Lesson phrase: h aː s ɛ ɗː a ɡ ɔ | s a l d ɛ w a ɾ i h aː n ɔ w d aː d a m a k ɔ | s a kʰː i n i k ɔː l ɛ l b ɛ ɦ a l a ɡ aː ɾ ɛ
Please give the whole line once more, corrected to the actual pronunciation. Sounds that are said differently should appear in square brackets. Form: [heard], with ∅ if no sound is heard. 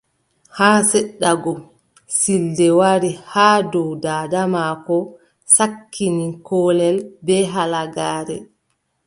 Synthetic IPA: h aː s ɛ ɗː a ɡ ɔ | s [i] l d ɛ w a ɾ i h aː [d] ɔ w d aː d a m a k ɔ | s a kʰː i n i k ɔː l ɛ l b ɛ ɦ a l a ɡ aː ɾ ɛ